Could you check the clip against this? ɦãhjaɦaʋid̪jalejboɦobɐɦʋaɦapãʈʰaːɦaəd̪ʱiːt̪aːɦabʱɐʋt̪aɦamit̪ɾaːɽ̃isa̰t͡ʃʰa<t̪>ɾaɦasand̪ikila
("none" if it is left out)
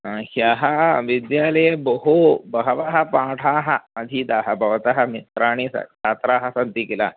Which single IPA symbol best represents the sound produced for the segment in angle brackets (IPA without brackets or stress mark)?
t̪